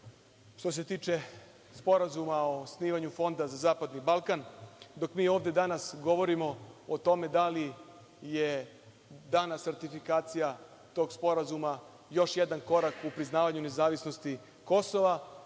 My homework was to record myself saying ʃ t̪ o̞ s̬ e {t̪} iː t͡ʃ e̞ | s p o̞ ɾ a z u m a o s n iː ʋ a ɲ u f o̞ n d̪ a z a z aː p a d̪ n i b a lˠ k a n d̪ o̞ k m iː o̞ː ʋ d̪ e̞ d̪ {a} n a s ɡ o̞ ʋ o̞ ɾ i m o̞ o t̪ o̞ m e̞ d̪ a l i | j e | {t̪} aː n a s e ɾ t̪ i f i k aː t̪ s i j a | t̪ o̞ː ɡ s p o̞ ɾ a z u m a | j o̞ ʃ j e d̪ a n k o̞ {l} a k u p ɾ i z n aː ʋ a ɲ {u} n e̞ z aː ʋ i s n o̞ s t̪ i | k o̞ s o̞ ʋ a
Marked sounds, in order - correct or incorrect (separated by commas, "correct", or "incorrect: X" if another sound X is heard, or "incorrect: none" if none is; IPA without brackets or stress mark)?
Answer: correct, correct, incorrect: d̪, incorrect: ɾ, correct